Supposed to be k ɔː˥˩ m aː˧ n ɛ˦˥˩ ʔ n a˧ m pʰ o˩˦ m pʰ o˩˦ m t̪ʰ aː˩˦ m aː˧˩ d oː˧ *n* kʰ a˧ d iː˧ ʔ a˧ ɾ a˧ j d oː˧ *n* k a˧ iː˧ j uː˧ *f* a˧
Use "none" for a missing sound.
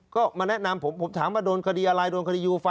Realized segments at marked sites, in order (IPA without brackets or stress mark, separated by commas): n, n, f